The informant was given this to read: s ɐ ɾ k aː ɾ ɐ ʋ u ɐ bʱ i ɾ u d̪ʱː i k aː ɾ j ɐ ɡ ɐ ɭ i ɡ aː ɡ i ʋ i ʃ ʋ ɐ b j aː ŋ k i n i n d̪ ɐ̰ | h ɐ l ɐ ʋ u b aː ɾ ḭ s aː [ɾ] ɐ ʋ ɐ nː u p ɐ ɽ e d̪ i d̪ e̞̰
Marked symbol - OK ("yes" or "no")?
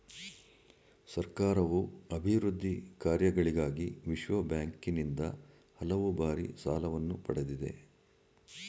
no